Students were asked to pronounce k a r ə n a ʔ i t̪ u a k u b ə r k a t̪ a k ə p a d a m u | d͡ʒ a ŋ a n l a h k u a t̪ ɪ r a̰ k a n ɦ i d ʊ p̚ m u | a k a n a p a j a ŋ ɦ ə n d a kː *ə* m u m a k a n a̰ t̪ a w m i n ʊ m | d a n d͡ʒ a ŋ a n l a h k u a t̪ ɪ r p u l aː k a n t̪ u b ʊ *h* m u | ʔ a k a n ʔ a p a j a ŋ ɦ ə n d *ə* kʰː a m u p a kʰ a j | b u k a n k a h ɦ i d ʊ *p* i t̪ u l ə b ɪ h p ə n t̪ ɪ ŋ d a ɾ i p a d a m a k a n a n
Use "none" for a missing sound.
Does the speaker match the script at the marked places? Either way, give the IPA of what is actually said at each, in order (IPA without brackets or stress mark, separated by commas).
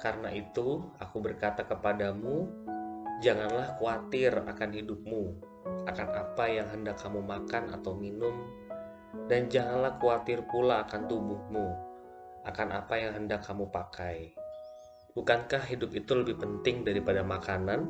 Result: a, h, a, p